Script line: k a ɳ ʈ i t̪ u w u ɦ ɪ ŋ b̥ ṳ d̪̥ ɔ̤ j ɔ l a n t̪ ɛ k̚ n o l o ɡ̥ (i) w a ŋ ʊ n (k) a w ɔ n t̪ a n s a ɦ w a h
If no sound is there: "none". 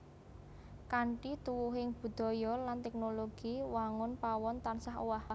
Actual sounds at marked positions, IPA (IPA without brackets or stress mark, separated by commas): i, p